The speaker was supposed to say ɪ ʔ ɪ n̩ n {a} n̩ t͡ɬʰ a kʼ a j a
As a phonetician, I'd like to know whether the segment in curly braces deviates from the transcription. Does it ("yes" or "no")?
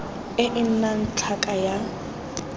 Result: no